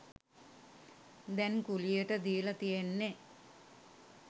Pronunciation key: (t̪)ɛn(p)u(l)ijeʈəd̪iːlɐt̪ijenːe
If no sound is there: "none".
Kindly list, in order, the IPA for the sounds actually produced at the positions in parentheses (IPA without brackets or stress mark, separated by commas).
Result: d̪, k, l